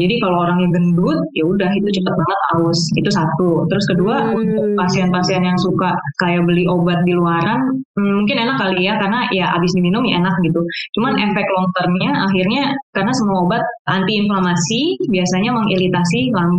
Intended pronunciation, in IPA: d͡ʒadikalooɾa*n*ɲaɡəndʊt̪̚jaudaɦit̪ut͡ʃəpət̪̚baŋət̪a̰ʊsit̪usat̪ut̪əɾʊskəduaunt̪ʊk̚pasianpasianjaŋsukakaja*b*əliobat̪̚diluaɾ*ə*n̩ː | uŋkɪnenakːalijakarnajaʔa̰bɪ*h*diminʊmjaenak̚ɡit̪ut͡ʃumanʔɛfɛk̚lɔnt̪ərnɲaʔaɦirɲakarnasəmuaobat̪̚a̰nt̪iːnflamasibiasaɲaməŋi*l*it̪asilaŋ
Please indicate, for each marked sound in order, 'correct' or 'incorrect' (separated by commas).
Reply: incorrect, correct, incorrect, incorrect, correct